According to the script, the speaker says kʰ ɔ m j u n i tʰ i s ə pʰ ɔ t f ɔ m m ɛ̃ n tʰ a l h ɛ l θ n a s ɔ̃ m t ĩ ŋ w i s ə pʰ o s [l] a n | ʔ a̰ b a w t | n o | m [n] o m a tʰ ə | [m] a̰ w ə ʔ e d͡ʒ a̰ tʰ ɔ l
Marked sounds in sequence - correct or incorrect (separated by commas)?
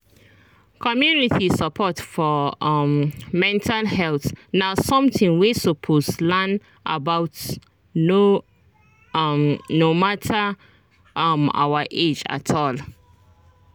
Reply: correct, correct, correct